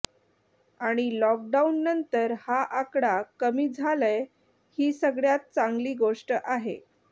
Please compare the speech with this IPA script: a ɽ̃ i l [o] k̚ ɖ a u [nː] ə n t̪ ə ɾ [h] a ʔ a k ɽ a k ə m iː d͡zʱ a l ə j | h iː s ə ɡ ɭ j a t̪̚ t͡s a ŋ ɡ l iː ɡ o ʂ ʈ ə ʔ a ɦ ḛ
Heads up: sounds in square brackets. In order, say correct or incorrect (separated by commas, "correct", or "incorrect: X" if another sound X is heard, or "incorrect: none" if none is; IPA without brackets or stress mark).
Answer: incorrect: ɔ, correct, correct